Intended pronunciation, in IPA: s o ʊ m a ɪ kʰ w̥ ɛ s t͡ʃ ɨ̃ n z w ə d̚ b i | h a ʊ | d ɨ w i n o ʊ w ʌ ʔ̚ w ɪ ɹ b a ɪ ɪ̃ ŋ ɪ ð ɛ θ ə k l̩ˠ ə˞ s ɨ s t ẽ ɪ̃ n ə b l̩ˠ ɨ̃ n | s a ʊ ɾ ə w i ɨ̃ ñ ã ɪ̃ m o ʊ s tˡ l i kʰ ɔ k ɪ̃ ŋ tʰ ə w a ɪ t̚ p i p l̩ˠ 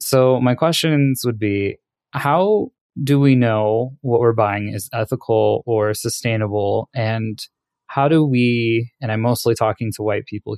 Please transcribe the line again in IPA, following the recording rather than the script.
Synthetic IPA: s o ʊ m a ɪ kʰ w̥ ɛ s t͡ʃ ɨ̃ n z w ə d̚ b i | h a ʊ | d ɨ w i n o ʊ w ʌ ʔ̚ w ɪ ɹ b a ɪ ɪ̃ ŋ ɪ z ɛ θ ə kʰ l̩ˠ ə˞ s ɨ s t ẽ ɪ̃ n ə b l̩ˠ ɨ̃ n | h a ʊ ɾ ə w i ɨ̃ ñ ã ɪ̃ m o ʊ s tˡ l i tʰ ɔ k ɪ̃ ŋ tʰ ə w a ɪ t̚ pʰ i p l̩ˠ